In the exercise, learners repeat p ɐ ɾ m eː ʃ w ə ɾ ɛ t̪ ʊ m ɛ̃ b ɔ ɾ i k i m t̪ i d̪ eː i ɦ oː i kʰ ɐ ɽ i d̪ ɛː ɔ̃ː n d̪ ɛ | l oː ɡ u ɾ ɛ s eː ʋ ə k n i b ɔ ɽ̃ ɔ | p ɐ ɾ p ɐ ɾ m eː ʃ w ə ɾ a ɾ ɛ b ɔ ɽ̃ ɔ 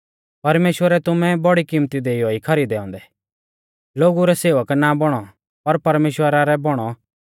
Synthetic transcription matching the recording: p ɐ ɾ m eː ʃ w ə ɾ ɛ t̪ ʊ m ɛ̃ b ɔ ɽ i k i m t̪ i d̪ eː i ɦ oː i kʰ ɐ ɾ i d̪ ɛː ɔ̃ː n d̪ ɛ | l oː ɡ u ɾ ɛ s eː ʋ ə k n a b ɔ ɽ̃ ɔ | p ɐ ɾ p ɐ ɾ m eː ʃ w ə ɾ a ɾ ɛ b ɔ ɽ̃ ɔ